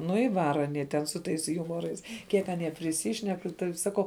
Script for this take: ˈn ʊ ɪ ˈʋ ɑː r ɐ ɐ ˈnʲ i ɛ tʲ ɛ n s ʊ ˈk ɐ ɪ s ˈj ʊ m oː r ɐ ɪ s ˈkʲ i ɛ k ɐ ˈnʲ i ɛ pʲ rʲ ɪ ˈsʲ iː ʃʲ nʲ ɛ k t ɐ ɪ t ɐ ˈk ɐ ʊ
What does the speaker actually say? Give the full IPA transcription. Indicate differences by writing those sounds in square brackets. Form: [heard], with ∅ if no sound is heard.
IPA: ˈn ʊ ɪ ˈʋ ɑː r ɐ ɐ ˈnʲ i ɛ tʲ ɛ n s ʊ [ˈt] ɐ ɪ s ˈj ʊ m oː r ɐ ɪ s ˈkʲ i ɛ k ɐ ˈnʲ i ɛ pʲ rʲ ɪ ˈsʲ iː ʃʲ nʲ ɛ k t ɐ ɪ [s] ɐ ˈk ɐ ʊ